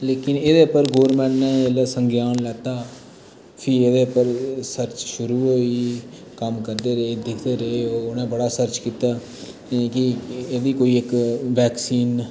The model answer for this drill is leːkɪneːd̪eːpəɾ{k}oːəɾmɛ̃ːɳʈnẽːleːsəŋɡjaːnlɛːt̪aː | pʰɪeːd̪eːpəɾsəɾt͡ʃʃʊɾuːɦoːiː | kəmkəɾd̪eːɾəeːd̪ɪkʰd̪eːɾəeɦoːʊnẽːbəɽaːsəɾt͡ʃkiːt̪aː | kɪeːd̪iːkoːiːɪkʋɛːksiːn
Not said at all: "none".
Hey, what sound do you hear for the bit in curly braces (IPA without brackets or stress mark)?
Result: ɡ